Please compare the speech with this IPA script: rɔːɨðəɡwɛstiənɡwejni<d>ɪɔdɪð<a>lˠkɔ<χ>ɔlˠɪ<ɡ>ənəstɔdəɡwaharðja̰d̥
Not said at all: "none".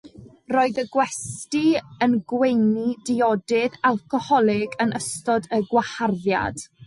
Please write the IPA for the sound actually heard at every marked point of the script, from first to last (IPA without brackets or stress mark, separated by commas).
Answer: d, a, h, ɡ